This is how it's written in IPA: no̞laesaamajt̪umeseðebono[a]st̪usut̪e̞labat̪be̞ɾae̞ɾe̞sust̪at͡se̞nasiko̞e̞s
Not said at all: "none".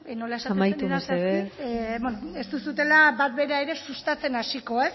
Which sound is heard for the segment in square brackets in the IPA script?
e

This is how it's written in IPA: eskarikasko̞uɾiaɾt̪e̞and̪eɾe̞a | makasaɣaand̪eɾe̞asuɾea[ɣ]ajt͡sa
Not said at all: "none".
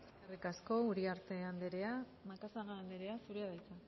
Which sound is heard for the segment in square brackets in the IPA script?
ð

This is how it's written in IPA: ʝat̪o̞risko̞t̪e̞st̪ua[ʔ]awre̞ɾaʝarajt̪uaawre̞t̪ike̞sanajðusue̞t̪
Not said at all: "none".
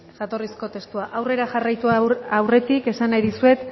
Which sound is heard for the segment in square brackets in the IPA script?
ʔ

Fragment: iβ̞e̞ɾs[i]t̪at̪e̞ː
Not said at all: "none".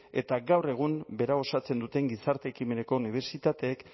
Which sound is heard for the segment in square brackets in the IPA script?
i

